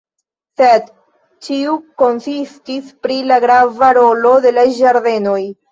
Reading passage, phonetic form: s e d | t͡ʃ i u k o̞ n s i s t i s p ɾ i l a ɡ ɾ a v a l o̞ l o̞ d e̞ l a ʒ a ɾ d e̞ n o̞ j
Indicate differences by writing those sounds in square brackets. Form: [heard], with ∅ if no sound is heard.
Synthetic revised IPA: s e d | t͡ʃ i u k o̞ n s i s t i s p ɾ i l a ɡ ɾ a v a [ɾ] o̞ l o̞ d e̞ l a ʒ a ɾ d e̞ n o̞ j